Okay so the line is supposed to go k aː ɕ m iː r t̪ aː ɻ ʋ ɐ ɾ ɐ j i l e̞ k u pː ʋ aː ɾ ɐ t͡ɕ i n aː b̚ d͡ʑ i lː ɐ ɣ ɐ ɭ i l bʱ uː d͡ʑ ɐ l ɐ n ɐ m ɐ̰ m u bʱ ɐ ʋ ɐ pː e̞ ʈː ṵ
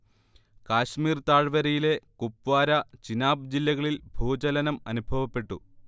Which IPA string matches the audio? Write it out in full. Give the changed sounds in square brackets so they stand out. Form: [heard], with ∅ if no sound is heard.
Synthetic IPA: k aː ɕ m iː r t̪ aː ɻ ʋ ɐ ɾ ɐ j i l e̞ k u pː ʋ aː ɾ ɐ t͡ɕ i n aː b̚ d͡ʑ i lː ɐ ɣ ɐ ɭ i l bʱ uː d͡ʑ ɐ l ɐ n ɐ m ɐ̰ [n] u bʱ ɐ ʋ ɐ pː e̞ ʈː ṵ